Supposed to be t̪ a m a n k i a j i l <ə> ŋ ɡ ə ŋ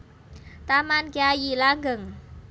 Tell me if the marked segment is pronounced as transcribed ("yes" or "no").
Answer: no